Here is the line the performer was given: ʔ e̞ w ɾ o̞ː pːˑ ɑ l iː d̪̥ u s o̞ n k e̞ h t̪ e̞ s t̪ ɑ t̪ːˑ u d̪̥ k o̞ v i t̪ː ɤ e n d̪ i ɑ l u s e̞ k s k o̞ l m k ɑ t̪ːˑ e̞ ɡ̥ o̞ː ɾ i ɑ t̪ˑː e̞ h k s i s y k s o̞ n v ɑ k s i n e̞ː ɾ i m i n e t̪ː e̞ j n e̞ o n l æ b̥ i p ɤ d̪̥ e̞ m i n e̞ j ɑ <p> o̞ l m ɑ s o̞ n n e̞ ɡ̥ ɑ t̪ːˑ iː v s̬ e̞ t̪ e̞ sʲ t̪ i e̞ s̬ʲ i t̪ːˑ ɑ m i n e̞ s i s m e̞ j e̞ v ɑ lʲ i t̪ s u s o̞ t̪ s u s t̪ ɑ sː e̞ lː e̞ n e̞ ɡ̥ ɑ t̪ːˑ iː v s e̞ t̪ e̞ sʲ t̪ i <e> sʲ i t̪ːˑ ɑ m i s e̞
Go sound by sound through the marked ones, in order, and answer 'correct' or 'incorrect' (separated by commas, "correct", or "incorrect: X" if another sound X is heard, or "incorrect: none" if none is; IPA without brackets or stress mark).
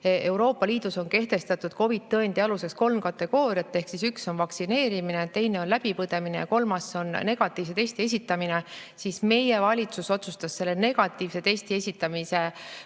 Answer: incorrect: k, correct